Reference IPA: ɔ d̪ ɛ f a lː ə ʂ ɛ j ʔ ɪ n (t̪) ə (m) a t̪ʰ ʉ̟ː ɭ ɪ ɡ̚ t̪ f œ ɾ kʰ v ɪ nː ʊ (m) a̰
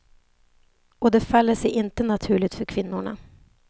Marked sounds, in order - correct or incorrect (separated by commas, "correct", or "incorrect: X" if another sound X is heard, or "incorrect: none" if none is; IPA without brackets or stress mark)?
correct, incorrect: n, incorrect: ɳ